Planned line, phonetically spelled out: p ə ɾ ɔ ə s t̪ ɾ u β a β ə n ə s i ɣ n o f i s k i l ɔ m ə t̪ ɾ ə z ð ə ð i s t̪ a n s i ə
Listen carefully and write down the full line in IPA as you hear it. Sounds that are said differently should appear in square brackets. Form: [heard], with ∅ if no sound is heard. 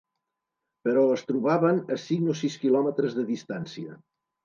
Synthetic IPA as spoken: p ə ɾ ɔ ə s t̪ ɾ u β a β ə n ə s i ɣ n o [s] i s k i l ɔ m ə t̪ ɾ ə z ð ə ð i s t̪ a n s i ə